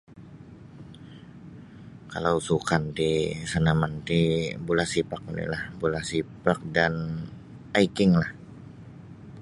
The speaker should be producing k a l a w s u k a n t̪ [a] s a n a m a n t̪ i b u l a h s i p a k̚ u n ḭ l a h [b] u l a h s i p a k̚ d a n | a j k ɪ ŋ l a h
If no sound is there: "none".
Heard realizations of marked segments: i, b

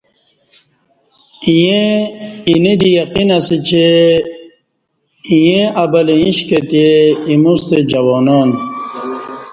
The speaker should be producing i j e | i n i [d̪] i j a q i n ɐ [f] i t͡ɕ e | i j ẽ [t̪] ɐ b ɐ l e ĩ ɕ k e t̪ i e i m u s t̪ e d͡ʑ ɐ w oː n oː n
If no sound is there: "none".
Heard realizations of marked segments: d̪, s, none

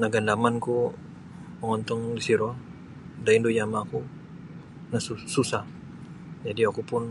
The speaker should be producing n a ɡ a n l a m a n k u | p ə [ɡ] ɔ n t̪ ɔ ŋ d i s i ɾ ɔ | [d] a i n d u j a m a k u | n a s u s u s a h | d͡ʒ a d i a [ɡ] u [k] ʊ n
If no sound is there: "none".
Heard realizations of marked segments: ŋ, d, k, p

